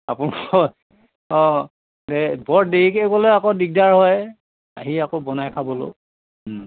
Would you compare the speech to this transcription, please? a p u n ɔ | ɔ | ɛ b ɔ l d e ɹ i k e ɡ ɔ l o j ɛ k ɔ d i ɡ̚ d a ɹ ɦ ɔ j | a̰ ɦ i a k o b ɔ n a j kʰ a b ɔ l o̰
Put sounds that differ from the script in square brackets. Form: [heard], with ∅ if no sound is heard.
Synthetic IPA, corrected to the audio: a p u n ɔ | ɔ | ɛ b ɔ [ɹ] d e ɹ i k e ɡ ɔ l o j [a] k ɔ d i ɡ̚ d a ɹ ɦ ɔ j | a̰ ɦ i a k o b ɔ n a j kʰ a b ɔ l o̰